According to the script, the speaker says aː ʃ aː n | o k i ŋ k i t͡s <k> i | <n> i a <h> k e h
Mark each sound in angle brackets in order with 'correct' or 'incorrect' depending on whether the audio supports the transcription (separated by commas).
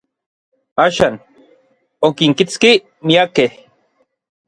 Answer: correct, incorrect, incorrect